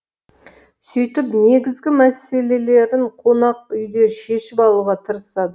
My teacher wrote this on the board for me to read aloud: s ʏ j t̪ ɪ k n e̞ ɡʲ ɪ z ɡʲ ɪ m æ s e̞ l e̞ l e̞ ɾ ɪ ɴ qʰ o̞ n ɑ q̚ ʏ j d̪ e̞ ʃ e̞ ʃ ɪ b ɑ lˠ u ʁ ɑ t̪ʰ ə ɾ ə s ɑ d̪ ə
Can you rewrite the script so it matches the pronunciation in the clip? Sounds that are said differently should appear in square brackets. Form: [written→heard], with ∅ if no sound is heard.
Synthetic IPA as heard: s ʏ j t̪ ɪ [k→p] n e̞ ɡʲ ɪ z ɡʲ ɪ m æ s e̞ l e̞ l e̞ ɾ ɪ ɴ qʰ o̞ n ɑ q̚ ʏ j d̪ e̞ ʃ e̞ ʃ ɪ [b→p] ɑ lˠ u ʁ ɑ t̪ʰ ə ɾ ə s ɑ d̪ ə